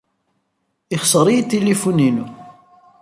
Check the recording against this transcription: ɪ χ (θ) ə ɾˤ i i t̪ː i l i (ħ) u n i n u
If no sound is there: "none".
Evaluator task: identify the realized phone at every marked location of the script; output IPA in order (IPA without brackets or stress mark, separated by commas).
s, f